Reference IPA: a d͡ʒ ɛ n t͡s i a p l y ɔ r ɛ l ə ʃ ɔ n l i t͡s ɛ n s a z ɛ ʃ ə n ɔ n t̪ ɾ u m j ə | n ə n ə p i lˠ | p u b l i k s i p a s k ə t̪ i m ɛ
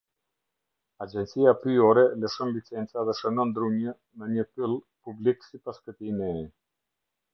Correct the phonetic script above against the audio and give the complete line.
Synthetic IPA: a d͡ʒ ɛ n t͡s i a p ɾ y ɔ ɾ ɛ l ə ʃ ɔ n l i t͡s ɛ n t͡s a ð ɛ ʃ ə n ɔ n d̪ ɾ u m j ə | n ə ɲ ə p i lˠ | p u b l i k s i p a s k ə t̪ i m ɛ